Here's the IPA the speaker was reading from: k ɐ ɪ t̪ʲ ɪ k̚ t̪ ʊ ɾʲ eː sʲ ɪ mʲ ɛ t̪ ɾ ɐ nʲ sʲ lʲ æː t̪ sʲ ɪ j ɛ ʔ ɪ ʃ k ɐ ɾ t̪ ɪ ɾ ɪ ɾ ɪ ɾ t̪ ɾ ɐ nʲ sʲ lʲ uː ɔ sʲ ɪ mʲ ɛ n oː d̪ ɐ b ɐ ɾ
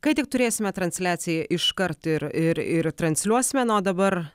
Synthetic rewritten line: k ɐ ɪ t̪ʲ ɪ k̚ t̪ ʊ ɾʲ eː sʲ ɪ mʲ ɛ t̪ ɾ ɐ nʲ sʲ lʲ æː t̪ sʲ ɪ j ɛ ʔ ɪ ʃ k ɐ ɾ t̪ ɪ ɾ ɪ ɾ ɪ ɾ t̪ ɾ ɐ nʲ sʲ lʲ u ɔ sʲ ɪ mʲ ɛ n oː d̪ ɐ b ɐ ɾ